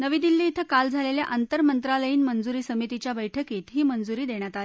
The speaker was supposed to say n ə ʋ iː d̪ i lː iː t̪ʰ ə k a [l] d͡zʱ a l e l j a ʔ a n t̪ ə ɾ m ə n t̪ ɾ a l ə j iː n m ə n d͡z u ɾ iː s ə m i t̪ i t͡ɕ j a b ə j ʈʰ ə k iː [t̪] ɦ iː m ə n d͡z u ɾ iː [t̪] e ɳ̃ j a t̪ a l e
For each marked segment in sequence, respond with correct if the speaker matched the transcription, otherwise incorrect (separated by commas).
correct, correct, incorrect